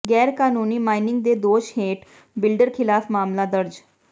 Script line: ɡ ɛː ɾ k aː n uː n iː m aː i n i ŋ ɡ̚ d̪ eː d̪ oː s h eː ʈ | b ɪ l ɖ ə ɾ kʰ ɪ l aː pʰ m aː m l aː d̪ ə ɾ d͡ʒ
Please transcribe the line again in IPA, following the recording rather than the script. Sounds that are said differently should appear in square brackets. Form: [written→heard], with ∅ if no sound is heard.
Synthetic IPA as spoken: ɡ ɛː ɾ k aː n uː n iː m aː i n [i→ɪ] ŋ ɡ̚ d̪ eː d̪ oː [s→ʃ] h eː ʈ | b ɪ l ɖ ə ɾ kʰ ɪ l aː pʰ m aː m l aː d̪ ə ɾ d͡ʒ